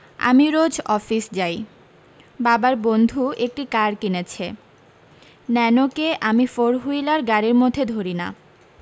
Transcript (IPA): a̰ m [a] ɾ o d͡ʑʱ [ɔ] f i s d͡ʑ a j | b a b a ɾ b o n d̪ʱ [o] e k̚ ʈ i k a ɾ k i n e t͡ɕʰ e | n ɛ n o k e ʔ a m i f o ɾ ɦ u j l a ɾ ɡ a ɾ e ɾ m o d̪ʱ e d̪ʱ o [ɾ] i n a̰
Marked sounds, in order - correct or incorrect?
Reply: incorrect: i, correct, incorrect: u, correct

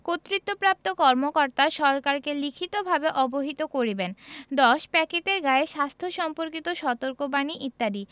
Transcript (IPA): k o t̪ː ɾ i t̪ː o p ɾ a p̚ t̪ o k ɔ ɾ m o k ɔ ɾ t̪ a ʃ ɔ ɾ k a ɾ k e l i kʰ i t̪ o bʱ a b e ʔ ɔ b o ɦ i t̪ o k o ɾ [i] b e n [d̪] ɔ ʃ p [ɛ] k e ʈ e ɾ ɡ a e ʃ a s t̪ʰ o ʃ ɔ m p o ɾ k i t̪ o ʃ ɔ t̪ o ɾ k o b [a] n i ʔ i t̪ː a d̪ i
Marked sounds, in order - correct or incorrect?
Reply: correct, correct, correct, correct

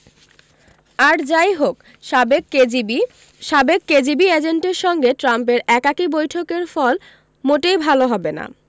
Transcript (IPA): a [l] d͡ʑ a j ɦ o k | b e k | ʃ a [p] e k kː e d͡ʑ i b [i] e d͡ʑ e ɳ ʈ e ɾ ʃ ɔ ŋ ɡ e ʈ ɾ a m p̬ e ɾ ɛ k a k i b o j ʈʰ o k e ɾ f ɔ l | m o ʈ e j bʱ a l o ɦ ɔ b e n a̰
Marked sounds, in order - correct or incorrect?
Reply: incorrect: ɾ, incorrect: b, correct

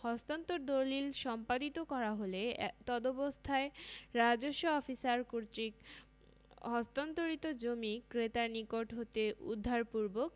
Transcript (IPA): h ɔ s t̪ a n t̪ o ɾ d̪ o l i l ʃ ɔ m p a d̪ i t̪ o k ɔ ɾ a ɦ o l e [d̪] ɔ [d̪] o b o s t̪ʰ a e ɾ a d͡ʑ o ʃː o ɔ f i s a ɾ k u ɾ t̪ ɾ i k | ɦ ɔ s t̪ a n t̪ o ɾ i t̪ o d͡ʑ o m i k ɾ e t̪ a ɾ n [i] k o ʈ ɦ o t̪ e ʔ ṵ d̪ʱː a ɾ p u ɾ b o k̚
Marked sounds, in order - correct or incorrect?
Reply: incorrect: t̪, correct, correct

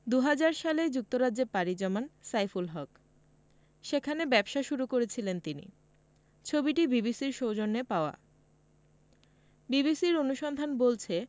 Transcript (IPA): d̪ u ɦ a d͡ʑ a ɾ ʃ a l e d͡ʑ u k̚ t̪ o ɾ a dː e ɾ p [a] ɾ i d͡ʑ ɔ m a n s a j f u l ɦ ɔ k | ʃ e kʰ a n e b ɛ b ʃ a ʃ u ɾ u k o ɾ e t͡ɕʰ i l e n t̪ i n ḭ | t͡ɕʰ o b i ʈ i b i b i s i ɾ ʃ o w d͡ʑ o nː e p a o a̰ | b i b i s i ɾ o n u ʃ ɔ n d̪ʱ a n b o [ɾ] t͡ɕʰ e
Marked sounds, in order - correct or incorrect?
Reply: correct, incorrect: l

